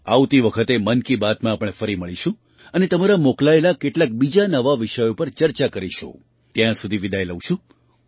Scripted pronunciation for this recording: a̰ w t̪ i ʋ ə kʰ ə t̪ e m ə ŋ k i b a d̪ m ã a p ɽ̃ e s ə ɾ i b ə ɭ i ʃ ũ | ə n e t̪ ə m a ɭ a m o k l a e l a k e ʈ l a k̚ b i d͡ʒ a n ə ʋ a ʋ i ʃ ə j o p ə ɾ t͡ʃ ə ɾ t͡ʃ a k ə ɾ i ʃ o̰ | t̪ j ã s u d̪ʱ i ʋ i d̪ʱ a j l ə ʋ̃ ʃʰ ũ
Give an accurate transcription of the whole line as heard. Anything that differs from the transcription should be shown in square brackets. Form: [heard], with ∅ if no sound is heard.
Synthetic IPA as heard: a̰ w t̪ i ʋ ə kʰ ə t̪ e m ə [n] k i b a [t̪] m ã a p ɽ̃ e [f] ə ɾ i [m] ə ɭ i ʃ ũ | ə n e t̪ ə m a [ɾ] a m o k l a e l a k e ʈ l a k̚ b i d͡ʒ a n ə ʋ a ʋ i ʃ ə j o p ə ɾ t͡ʃ ə ɾ t͡ʃ a k ə ɾ i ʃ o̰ | t̪ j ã s u d̪ʱ i ʋ i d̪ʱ a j l ə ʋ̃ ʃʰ ũ